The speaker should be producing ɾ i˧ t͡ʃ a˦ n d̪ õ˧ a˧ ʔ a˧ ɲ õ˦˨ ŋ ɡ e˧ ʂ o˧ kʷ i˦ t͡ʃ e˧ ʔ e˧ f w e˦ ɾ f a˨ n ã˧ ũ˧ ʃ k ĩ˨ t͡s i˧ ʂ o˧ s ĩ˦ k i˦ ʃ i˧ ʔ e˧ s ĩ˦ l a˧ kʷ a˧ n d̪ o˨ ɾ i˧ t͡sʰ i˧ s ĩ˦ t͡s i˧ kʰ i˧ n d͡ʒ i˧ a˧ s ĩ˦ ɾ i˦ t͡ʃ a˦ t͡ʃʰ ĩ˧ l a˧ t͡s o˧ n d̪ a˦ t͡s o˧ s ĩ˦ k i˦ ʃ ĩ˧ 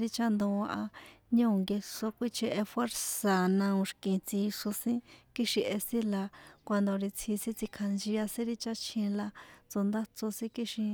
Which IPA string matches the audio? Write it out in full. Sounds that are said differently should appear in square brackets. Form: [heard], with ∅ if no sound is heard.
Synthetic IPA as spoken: ɾ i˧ t͡ʃ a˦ n d̪ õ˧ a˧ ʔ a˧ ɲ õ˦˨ ŋ ɡ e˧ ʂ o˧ kʷ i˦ t͡ʃ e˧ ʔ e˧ f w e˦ ɾ [s] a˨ n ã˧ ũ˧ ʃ k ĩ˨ t͡s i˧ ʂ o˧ s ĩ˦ k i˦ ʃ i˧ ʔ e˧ s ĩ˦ l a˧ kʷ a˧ n d̪ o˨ ɾ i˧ t͡sʰ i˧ s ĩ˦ t͡s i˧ kʰ [a˧] n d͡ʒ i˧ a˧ s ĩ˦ ɾ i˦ t͡ʃ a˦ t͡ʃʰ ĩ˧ l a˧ t͡s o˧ n d̪ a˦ t͡s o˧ s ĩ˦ k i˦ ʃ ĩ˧